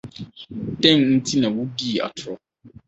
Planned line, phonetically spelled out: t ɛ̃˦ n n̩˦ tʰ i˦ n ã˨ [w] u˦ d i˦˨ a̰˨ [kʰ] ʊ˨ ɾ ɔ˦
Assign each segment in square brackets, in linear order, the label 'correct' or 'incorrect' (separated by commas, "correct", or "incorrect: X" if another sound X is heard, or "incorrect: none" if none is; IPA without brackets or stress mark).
correct, incorrect: tʰ